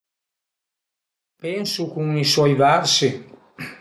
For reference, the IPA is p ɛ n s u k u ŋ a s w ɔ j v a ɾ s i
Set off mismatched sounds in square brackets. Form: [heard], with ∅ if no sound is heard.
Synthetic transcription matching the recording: p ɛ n s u k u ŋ [i] s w ɔ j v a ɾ s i